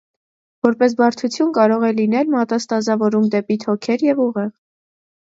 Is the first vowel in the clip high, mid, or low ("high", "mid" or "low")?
mid